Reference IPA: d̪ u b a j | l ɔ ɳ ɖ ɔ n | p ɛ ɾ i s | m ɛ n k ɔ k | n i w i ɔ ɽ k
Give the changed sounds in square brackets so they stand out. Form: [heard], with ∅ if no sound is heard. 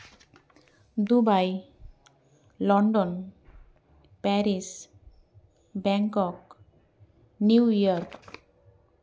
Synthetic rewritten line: d̪ u b a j | l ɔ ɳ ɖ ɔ n | p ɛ ɾ i s | [b] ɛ [ŋ] k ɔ k | n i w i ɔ [ɾ] k